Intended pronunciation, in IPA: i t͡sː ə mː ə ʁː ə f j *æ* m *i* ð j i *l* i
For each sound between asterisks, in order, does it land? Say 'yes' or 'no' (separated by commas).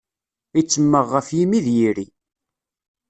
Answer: no, yes, no